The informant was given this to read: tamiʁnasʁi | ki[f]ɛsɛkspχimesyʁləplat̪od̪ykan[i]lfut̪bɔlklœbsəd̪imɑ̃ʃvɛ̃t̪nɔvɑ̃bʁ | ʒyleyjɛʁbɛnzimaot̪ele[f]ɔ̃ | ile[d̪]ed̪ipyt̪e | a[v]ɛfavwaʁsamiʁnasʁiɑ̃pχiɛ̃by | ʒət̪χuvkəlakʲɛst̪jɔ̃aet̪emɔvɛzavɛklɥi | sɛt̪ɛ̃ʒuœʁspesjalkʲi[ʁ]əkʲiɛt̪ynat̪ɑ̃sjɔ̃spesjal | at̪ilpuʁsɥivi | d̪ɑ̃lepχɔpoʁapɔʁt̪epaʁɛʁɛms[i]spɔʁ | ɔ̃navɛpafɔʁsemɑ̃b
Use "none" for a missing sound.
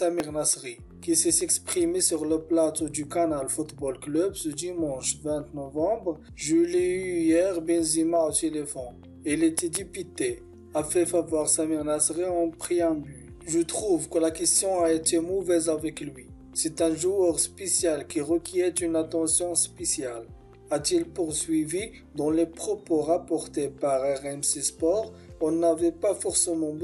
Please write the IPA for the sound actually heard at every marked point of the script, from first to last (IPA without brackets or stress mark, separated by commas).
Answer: s, a, f, t̪, f, ʁ, e